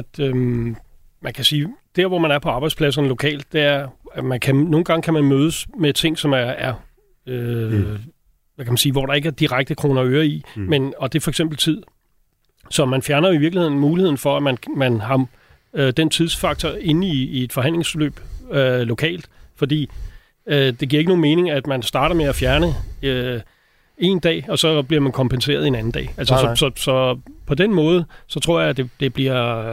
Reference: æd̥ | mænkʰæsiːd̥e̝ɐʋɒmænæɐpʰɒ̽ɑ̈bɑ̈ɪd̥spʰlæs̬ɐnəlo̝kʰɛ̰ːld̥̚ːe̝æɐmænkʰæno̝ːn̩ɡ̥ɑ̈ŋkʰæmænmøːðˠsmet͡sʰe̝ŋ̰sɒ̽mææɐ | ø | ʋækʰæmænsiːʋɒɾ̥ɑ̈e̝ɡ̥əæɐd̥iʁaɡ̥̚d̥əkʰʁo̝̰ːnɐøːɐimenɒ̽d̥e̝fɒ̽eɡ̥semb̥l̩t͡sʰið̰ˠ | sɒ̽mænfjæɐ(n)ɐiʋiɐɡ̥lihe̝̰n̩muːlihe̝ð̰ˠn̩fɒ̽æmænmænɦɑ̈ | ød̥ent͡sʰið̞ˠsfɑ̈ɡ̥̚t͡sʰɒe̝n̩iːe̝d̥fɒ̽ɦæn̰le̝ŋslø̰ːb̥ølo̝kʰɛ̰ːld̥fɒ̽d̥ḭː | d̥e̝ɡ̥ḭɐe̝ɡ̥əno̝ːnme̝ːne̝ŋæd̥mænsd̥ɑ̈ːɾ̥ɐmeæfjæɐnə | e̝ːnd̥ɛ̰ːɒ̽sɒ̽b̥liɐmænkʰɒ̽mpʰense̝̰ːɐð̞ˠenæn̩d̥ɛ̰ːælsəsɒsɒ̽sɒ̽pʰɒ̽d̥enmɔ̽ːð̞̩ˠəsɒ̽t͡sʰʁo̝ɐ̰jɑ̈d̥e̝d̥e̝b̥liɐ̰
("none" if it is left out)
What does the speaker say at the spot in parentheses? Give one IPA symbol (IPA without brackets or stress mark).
n